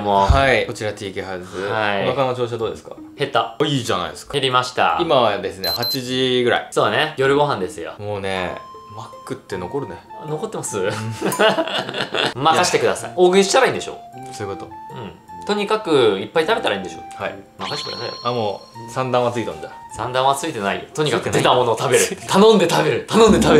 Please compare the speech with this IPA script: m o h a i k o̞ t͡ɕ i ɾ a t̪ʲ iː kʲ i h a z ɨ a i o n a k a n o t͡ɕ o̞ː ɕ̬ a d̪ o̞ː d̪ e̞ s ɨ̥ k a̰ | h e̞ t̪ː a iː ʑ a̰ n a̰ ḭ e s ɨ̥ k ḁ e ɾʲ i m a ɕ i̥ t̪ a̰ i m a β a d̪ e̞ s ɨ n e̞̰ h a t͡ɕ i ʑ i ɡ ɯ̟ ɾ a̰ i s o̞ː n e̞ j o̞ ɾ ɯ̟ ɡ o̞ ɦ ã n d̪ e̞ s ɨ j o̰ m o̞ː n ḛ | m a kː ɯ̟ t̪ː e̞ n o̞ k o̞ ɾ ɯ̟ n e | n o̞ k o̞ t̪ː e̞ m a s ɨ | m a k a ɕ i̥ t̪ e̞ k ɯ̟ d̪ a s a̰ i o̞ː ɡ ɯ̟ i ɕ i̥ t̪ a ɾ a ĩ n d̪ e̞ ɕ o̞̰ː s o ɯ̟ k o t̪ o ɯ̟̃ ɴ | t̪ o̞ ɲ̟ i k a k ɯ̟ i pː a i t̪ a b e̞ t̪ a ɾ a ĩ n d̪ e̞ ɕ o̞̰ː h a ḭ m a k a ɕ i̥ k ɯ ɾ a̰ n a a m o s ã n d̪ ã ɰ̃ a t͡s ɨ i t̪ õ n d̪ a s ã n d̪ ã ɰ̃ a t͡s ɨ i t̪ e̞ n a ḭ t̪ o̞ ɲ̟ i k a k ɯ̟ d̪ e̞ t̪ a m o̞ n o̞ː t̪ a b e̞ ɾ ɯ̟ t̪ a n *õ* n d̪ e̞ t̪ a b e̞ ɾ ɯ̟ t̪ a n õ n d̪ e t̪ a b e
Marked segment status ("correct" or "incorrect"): correct